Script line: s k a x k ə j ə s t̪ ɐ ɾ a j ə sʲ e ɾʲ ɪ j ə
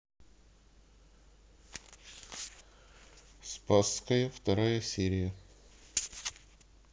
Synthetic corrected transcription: s p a s k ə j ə f t̪ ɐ ɾ a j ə sʲ e ɾʲ ɪ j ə